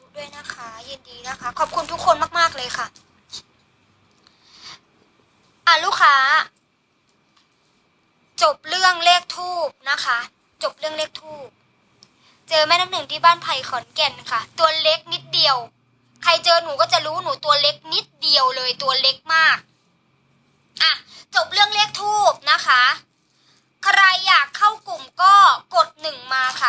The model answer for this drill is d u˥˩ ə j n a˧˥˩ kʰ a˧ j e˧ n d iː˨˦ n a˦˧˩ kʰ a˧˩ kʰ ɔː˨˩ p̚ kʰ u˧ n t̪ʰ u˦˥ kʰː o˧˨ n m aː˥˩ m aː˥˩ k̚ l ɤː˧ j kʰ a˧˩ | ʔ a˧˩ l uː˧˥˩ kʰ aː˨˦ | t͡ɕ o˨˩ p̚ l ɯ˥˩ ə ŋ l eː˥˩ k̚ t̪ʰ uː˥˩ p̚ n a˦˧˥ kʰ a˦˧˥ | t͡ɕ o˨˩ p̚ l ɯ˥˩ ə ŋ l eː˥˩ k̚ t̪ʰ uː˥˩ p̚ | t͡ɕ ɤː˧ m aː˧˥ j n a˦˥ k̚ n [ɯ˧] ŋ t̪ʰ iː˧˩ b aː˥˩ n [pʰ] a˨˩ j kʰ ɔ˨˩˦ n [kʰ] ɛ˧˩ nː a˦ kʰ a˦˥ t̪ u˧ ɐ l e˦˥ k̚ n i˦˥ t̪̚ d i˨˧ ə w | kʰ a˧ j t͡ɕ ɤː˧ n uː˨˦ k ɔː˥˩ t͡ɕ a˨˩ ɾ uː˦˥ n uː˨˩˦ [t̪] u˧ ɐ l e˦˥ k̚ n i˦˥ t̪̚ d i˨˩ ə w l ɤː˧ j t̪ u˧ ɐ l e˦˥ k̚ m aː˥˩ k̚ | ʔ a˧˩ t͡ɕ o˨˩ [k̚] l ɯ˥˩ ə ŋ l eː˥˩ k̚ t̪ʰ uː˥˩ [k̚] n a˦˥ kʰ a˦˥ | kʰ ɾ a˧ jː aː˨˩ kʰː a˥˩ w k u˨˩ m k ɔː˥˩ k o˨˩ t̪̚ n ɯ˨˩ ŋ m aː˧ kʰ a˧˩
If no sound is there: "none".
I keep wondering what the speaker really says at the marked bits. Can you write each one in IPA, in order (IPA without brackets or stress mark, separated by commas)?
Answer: ɯ˨˩, pʰ, k, t̪, p̚, p̚